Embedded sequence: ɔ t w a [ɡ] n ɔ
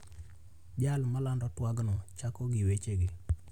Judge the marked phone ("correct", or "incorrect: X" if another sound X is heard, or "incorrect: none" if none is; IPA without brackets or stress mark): correct